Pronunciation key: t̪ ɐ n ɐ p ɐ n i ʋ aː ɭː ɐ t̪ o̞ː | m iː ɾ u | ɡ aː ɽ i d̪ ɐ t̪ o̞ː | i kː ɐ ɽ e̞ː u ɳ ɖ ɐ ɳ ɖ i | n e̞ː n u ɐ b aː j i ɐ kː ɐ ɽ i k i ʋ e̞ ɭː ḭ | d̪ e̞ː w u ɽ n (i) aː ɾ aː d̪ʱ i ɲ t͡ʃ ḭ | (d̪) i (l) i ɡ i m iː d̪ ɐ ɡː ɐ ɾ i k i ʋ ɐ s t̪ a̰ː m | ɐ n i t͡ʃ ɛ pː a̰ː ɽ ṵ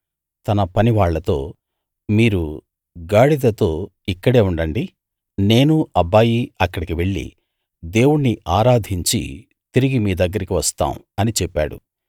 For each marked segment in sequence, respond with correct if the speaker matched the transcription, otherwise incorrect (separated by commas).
correct, incorrect, incorrect